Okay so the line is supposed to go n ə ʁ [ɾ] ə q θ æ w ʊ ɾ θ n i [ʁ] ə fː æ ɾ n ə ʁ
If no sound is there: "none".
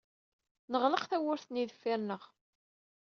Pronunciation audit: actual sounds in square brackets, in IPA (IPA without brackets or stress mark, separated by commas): l, ð